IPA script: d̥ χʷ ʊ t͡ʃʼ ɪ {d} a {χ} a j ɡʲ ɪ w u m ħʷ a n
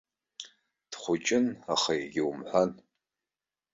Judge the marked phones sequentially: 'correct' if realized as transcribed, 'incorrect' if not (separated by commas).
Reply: incorrect, correct